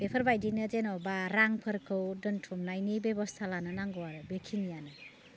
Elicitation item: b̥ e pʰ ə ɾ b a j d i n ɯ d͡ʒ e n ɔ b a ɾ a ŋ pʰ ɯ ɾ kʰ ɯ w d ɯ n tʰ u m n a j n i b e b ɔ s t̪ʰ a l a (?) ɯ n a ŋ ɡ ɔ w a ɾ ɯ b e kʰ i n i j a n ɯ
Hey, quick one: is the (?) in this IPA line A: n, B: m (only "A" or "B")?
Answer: A